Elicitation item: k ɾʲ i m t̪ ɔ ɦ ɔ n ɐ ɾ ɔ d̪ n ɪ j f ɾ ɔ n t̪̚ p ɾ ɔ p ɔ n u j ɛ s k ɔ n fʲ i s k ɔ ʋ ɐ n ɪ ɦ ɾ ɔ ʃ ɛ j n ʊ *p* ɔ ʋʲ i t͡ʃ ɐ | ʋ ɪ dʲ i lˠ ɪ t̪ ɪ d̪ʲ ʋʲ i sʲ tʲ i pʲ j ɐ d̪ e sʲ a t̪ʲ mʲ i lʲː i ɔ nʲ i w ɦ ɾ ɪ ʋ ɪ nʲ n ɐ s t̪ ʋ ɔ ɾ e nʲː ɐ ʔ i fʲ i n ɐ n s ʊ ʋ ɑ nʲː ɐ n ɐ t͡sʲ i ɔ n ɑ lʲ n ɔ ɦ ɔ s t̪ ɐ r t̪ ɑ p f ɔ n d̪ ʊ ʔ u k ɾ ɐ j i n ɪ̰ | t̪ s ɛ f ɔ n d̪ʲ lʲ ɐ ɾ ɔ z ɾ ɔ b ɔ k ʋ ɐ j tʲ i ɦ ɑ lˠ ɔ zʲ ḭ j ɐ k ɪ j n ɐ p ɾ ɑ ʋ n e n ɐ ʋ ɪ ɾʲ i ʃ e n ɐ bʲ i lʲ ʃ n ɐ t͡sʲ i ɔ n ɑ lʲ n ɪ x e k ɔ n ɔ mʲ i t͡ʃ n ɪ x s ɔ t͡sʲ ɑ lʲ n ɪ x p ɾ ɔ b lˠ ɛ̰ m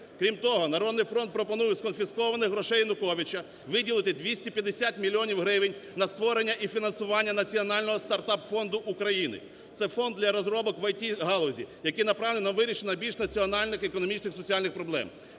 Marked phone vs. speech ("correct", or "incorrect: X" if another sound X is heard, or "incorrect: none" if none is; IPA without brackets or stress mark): incorrect: k